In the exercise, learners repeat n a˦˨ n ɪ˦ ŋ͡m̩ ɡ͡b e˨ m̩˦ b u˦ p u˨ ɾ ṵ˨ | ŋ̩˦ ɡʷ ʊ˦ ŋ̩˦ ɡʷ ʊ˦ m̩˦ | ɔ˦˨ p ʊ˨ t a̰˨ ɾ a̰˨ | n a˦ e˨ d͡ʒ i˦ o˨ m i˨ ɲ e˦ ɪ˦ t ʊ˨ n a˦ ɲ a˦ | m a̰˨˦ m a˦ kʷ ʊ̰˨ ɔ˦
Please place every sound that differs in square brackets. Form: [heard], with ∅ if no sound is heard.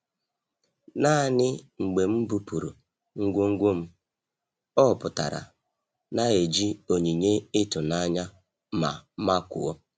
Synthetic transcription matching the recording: n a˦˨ n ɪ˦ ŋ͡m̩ ɡ͡b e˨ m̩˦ b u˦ p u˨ ɾ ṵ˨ | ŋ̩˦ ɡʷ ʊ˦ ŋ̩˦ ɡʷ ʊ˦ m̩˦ | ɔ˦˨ p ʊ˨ t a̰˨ ɾ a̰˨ | n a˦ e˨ d͡ʒ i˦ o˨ [ɲ] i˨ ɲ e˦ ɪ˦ t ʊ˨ n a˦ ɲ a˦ | m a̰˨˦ m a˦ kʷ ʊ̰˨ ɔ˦